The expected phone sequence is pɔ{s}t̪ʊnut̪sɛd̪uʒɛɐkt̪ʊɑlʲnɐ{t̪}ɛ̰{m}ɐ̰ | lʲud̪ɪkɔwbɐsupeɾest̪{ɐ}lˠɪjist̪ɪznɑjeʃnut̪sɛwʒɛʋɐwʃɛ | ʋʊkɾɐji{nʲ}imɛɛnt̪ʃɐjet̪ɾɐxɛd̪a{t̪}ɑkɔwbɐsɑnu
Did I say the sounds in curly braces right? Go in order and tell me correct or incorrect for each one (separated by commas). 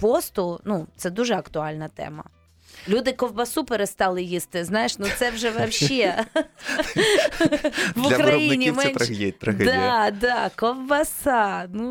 correct, correct, correct, incorrect, correct, incorrect